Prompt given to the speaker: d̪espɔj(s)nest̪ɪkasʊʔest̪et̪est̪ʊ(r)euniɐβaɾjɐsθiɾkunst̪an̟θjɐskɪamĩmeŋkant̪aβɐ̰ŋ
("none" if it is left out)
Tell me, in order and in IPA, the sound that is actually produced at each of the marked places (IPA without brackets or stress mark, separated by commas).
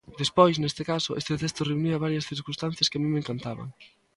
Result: s, r